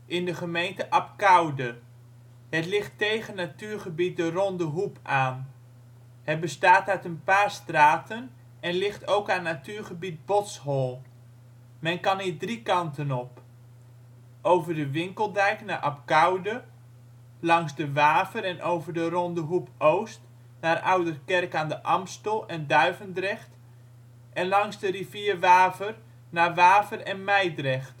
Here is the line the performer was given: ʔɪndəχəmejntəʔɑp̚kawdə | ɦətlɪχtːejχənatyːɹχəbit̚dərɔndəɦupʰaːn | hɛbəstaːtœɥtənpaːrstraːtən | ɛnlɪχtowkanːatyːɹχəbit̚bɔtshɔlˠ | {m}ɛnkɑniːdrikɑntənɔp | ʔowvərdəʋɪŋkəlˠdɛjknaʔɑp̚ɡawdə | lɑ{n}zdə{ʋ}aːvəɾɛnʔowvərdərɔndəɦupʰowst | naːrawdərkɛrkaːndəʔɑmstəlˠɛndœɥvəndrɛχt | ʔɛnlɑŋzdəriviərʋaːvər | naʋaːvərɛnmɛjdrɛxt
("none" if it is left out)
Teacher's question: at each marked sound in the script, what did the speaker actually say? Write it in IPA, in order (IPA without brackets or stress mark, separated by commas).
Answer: m, ŋ, ʋ